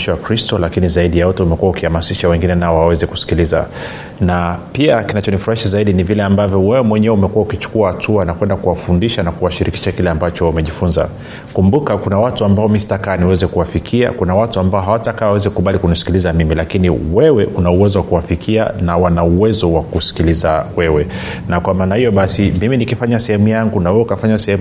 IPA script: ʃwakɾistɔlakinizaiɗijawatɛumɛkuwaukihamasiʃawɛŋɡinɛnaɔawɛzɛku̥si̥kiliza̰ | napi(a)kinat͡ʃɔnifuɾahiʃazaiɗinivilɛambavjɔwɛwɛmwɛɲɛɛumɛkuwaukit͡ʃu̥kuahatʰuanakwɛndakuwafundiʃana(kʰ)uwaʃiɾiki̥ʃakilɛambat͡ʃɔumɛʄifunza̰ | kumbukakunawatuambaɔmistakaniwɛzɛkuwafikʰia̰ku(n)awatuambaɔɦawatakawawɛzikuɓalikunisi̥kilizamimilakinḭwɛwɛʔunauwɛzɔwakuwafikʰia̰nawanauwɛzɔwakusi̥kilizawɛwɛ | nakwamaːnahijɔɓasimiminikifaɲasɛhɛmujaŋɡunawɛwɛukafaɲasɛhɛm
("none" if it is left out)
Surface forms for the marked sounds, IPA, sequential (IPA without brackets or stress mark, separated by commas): a, k, n